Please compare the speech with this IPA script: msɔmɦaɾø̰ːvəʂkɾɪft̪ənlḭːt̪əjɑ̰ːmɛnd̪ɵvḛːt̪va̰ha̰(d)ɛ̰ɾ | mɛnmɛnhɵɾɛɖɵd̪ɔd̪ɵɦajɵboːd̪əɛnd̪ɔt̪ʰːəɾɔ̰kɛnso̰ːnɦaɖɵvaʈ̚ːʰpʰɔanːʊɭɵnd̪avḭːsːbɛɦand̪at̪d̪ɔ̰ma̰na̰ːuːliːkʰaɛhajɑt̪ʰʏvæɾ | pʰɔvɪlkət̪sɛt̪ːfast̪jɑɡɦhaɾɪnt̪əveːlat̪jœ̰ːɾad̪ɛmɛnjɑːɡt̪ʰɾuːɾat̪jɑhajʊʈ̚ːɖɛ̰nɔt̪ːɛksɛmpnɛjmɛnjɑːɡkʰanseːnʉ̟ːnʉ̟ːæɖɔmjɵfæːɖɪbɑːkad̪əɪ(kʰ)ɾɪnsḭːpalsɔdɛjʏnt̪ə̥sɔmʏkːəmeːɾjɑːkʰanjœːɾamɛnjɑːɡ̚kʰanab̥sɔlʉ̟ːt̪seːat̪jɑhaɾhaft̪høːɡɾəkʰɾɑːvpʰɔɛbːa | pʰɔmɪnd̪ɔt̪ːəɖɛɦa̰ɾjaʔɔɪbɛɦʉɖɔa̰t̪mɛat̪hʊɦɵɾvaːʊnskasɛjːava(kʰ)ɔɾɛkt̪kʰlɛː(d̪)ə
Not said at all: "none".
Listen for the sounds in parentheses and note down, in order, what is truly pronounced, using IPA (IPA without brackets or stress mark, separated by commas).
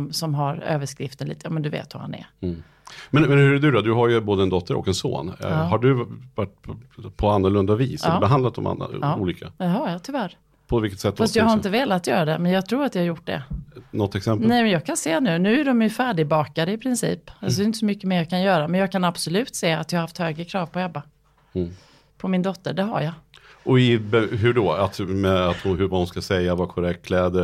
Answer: n, pʰ, kʰ, d̪